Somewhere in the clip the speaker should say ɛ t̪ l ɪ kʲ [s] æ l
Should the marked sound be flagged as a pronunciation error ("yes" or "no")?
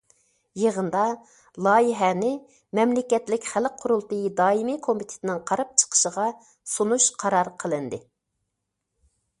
yes